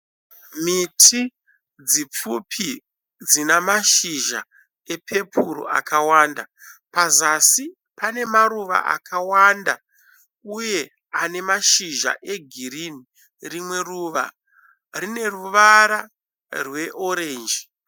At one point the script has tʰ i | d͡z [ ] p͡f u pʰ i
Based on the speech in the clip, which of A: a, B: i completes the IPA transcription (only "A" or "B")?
B